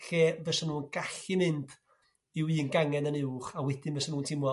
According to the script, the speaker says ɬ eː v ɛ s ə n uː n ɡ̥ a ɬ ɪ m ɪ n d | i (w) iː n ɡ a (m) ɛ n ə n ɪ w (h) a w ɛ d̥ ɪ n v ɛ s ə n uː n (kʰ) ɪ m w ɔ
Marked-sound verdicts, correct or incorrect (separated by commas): correct, incorrect, incorrect, incorrect